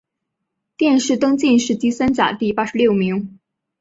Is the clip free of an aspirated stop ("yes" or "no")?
yes